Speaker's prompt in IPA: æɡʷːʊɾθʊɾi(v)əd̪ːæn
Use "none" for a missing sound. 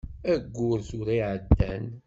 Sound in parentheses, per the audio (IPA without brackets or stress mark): ʕ